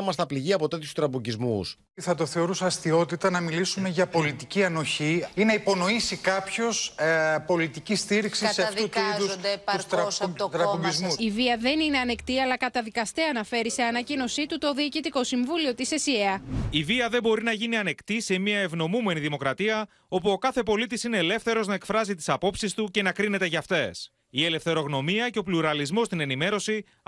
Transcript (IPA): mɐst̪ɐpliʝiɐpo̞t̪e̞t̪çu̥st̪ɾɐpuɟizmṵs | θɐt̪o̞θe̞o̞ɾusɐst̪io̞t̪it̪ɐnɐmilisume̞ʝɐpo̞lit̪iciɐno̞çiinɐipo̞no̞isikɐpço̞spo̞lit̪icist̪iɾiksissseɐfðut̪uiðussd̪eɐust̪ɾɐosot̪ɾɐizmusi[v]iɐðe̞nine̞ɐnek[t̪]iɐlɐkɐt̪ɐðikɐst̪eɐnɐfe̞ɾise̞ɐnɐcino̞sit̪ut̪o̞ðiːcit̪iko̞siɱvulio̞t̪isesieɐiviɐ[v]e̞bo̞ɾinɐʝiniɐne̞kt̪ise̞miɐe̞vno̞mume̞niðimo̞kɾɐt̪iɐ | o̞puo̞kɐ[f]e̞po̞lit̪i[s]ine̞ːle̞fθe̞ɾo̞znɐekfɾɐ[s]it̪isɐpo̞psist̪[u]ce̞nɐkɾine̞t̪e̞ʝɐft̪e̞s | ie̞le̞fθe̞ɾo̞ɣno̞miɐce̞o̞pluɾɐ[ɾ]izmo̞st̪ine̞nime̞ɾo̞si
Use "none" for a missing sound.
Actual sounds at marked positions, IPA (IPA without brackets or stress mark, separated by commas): v, t̪, ð, θ, s, z, u, l